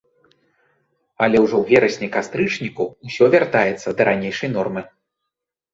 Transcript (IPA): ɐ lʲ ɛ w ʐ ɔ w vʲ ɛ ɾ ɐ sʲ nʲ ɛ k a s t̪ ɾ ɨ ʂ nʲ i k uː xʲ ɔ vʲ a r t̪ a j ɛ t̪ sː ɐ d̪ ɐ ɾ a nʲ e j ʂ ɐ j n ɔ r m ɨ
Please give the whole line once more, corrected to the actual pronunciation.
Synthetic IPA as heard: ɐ lʲ ɛ w ʐ ɔ w vʲ ɛ ɾ ɐ sʲ nʲ ɛ k a s t̪ ɾ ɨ t͡ʂ nʲ i k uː sʲ ɔ vʲ a r t̪ a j ɛ t̪ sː ɐ d̪ ɐ ɾ a nʲ e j ʂ ɐ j n ɔ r m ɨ